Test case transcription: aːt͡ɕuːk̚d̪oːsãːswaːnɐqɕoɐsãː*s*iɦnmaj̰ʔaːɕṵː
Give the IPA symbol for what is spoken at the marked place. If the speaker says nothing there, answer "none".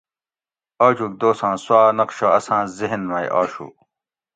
z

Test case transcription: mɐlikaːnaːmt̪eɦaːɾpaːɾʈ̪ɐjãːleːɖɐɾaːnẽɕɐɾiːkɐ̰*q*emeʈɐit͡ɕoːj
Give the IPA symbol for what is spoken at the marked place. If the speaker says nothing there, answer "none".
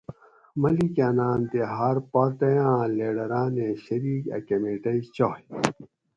k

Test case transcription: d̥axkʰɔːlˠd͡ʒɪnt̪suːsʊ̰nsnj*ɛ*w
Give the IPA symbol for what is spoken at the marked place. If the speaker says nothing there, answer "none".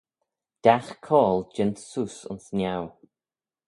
a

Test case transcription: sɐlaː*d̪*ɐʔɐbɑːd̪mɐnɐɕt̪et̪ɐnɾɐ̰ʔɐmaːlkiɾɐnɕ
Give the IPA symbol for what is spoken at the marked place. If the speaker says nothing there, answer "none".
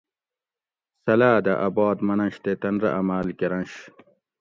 d̪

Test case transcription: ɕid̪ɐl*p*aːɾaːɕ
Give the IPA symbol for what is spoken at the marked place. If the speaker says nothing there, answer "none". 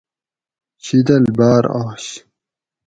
b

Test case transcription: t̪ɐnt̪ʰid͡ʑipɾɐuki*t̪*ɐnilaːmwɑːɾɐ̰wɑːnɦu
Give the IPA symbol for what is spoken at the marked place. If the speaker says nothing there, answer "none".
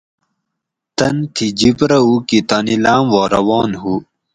t̪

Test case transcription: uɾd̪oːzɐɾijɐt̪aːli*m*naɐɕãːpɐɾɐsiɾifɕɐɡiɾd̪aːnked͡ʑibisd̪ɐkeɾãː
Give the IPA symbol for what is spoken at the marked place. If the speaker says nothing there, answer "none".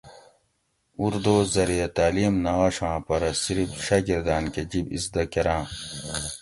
m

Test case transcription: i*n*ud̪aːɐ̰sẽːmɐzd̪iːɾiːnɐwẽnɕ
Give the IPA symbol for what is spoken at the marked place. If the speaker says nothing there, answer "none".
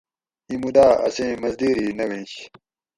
m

